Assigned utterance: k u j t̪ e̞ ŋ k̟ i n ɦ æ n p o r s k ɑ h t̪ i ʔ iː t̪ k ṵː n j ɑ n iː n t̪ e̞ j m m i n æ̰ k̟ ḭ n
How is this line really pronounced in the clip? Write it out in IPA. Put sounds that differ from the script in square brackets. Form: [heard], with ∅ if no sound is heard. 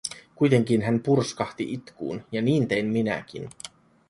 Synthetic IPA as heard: k u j t̪ e̞ ŋ k̟ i n ɦ æ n p [u] r s k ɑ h t̪ i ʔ [i] t̪ k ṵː n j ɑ n iː n t̪ e̞ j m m i n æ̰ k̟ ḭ n